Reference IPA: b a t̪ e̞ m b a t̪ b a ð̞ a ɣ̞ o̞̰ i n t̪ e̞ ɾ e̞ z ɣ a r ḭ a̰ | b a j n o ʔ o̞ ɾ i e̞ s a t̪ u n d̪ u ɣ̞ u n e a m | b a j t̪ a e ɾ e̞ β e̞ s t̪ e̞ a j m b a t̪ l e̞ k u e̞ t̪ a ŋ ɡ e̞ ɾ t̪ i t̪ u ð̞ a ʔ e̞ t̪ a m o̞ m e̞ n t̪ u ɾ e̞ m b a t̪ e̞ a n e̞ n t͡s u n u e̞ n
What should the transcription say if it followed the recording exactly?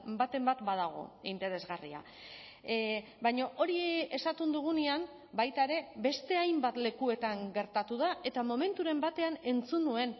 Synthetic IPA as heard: b a t̪ e̞ m b a t̪ b a ð̞ a ɣ̞ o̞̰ i n t̪ e̞ ɾ e̞ z ɣ a r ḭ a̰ | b a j ɲ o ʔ o̞ ɾ i e̞ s a t̪ u n d̪ u ɣ̞ u n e a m | b a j t̪ a e ɾ e̞ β e̞ s t̪ e̞ a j m b a t̪ l e̞ k u e̞ t̪ a ŋ ɡ e̞ ɾ t̪ a t̪ u ð̞ a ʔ e̞ t̪ a m o̞ m e̞ n t̪ u ɾ e̞ m b a t̪ e̞ a n e̞ n t͡s u n u e̞ n